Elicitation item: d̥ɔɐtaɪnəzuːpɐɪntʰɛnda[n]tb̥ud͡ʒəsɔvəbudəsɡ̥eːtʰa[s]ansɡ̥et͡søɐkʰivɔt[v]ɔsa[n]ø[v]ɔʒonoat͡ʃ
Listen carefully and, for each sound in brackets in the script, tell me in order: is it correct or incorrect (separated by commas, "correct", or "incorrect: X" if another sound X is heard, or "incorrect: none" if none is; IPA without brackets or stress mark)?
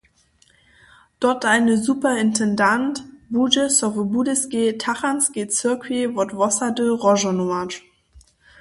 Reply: correct, incorrect: χ, correct, incorrect: d, incorrect: ʁ